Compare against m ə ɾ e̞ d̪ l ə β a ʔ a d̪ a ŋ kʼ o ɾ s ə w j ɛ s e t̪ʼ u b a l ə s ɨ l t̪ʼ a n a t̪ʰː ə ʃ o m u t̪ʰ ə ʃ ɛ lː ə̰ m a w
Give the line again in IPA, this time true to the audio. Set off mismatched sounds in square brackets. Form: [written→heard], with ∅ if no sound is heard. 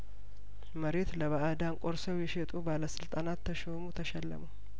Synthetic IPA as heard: m ə ɾ e̞ [d̪→t̪] l ə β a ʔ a d̪ a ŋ kʼ o ɾ s ə w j ɛ [s→ʃ] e t̪ʼ u b a l ə s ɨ l t̪ʼ a n a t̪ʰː ə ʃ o m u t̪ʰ ə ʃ ɛ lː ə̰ m [a→ə] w